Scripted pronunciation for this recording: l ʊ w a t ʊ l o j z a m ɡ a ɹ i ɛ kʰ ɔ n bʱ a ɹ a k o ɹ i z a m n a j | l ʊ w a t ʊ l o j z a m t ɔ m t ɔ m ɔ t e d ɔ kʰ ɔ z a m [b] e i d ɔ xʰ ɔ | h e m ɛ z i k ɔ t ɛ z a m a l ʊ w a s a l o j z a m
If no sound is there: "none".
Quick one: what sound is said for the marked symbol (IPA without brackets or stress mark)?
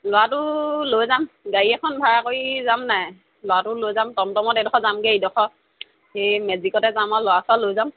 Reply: ɡ